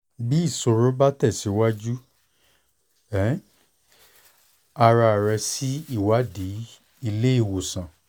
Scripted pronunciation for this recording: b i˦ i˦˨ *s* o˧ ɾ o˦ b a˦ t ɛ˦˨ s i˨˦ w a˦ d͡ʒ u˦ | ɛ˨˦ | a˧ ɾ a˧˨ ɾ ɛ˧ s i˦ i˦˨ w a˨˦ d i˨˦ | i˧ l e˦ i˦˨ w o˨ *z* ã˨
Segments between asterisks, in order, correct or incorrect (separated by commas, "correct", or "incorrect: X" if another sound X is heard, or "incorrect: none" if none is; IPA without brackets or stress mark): correct, incorrect: s